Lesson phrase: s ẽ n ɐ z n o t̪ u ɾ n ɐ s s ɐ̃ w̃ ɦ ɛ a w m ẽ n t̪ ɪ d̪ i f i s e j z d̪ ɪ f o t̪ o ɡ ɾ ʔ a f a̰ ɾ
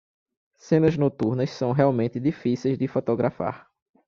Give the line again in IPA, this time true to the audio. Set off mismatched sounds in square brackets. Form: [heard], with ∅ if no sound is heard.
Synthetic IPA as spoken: s ẽ n ɐ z n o t̪ u ɾ n ɐ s s ɐ̃ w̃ ɦ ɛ a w m ẽ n t̪ ɪ d̪ i f i s e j z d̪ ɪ f o t̪ o ɡ ɾ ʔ a f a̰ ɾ